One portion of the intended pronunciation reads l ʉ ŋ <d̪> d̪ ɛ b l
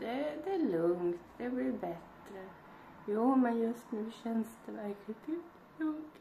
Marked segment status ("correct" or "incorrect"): incorrect